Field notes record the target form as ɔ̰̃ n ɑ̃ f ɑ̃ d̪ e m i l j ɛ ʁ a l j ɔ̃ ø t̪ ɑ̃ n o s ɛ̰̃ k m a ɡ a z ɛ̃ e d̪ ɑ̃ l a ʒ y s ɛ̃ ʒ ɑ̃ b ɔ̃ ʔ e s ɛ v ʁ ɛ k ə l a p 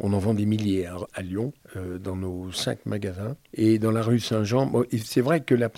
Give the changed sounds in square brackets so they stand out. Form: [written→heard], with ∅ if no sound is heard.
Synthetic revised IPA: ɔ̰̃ n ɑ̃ [f→v] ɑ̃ d̪ e m i l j ɛ ʁ a l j ɔ̃ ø [t̪→d̪] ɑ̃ n o s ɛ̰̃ k m a ɡ a z ɛ̃ e d̪ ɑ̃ l a [ʒ→ʁ] y s ɛ̃ ʒ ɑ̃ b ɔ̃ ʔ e s ɛ v ʁ ɛ k ə l a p